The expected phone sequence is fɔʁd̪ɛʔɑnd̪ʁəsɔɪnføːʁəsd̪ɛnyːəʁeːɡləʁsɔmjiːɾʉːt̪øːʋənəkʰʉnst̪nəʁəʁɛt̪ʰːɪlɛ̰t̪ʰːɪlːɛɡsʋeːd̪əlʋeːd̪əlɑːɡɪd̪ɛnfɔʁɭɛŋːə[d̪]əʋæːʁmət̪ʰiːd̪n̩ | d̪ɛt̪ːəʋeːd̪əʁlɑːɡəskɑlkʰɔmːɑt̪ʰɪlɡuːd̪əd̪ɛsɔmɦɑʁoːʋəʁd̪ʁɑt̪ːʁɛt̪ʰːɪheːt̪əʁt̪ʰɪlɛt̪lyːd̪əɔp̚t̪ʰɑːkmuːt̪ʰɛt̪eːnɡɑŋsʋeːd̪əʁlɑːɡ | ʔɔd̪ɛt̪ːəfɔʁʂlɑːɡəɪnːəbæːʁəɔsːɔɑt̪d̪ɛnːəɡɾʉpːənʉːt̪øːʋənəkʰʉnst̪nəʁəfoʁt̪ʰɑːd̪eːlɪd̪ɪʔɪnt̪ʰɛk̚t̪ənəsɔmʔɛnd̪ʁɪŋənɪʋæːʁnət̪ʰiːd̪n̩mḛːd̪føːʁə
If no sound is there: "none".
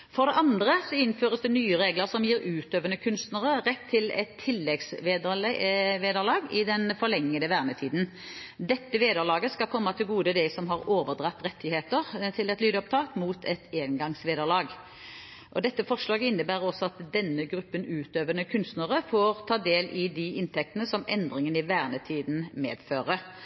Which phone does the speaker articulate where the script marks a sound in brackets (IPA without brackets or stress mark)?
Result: d̪